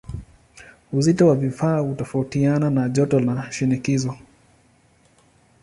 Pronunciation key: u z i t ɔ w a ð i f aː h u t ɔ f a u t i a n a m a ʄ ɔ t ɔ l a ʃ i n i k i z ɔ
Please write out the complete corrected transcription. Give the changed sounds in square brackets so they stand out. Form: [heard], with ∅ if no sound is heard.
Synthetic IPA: u z i t ɔ w a [v] i f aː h u t ɔ f a u t i a n a [n] a ʄ ɔ t ɔ l a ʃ i n i k i z ɔ

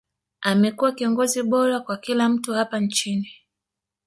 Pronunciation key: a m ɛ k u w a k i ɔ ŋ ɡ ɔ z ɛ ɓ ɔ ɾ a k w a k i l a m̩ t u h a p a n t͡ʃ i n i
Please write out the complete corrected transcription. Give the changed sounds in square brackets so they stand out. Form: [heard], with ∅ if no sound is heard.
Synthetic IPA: a m ɛ k u w a k i ɔ ŋ ɡ ɔ z [i] ɓ ɔ ɾ a k w a k i l a m̩ t u h a p a n t͡ʃ i n i

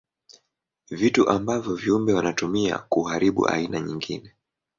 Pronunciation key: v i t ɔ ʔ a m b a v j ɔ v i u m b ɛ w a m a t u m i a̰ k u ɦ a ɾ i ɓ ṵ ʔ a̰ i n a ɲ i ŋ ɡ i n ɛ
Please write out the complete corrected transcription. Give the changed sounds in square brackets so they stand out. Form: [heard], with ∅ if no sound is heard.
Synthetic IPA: v i t [u] ʔ a m b a v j ɔ v i u m b ɛ w a [n] a t u m i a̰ k u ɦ a ɾ i ɓ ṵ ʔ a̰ i n a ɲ i ŋ ɡ i n ɛ

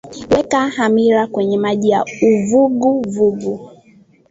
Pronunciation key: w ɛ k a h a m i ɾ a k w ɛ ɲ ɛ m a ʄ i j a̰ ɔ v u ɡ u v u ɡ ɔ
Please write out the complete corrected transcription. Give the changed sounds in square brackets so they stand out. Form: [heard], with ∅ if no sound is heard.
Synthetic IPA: w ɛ k a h a m i ɾ a k w ɛ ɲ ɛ m a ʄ i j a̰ [u] v u ɡ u v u ɡ [u]

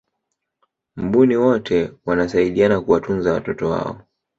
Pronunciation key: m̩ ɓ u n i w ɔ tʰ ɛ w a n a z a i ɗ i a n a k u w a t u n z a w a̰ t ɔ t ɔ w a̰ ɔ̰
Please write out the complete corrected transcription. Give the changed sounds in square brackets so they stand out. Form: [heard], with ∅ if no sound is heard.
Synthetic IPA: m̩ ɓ u n i w ɔ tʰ ɛ w a n a [s] a i ɗ i a n a k u w a t u n z a w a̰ t ɔ t ɔ w a̰ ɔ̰

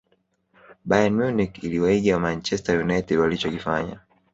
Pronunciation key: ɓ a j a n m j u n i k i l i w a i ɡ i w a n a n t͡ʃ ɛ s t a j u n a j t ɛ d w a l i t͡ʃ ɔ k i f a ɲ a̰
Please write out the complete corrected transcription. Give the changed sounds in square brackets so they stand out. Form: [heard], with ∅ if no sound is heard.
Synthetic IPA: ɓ a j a n m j u n i k i l i w a i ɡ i w a [m] a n t͡ʃ ɛ s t a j u n a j t ɛ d w a l i t͡ʃ ɔ k i f a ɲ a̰

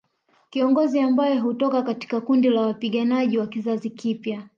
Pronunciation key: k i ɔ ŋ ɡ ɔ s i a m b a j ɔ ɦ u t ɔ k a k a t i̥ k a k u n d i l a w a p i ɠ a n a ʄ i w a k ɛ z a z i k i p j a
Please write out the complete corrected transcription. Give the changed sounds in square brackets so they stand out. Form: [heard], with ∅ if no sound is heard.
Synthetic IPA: k i ɔ ŋ ɡ ɔ [z] i a m b a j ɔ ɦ u t ɔ k a k a t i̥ k a k u n d i l a w a p i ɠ a n a ʄ i w a k [i] z a z i k i p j a

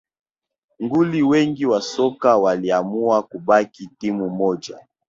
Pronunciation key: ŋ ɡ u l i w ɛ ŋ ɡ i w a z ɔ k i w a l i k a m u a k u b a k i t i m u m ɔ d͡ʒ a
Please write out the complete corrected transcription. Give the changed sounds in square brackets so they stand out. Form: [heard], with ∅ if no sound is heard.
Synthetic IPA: ŋ ɡ u l i w ɛ ŋ ɡ i w a [s] ɔ k [a] w a l i [∅] a m u a k u b a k i t i m u m ɔ d͡ʒ a

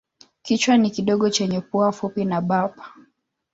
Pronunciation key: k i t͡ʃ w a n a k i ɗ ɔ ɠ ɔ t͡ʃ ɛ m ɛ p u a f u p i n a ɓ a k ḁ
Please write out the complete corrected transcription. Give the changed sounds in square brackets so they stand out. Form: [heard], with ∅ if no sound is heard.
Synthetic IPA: k i t͡ʃ w a n [i] k i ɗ ɔ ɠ ɔ t͡ʃ ɛ [ɲ] ɛ p u a f u p i n a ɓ a [p] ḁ

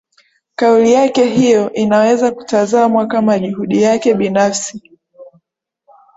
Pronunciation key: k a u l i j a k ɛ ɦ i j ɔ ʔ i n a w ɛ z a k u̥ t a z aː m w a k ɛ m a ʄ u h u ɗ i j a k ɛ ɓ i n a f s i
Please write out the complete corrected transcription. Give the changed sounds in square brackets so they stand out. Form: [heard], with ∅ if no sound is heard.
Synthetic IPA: k a u l i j a k ɛ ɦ i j ɔ ʔ i n a w ɛ z a k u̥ t a z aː m w a k [a] m a ʄ u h u ɗ i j a k ɛ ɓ i n a f s i

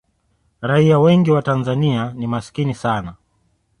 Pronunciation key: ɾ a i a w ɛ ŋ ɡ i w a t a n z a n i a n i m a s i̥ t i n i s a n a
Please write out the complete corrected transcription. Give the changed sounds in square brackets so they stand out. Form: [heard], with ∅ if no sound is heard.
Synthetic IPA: ɾ a i a w ɛ ŋ ɡ i w a t a n z a n i a n i m a s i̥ [k] i n i s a n a

